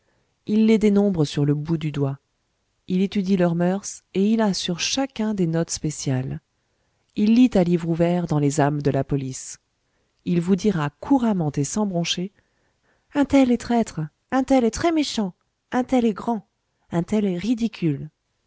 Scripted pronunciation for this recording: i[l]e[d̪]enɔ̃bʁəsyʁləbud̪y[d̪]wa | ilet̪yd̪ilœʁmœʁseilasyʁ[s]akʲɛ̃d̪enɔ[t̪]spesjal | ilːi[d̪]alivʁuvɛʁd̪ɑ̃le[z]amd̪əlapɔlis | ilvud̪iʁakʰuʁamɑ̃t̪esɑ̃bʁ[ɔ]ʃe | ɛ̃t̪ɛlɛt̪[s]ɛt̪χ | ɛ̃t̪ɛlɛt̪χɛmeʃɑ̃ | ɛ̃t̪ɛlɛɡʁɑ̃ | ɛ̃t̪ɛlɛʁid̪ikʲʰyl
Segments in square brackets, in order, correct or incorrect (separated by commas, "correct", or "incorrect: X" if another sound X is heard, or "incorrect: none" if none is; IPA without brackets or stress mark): incorrect: lː, correct, correct, incorrect: ʃ, correct, incorrect: t̪, correct, incorrect: ɔ̃, incorrect: χ